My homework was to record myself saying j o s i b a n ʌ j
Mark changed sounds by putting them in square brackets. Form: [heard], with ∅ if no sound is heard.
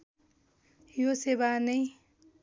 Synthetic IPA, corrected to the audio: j o s [e] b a n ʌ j